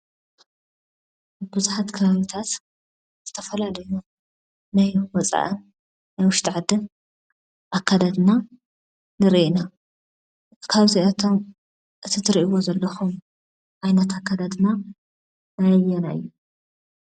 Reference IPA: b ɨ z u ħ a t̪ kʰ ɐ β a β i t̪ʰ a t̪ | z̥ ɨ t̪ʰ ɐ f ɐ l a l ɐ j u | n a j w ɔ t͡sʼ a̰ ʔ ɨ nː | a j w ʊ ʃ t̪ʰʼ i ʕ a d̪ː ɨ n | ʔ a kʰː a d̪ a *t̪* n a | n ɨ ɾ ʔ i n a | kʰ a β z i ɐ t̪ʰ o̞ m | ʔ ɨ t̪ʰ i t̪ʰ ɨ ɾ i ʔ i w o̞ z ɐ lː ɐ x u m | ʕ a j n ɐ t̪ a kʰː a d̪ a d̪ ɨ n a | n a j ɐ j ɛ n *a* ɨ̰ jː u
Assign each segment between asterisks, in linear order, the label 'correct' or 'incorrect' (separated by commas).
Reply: incorrect, correct